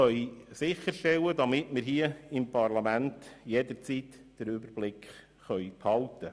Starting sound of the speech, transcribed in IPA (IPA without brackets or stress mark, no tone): œ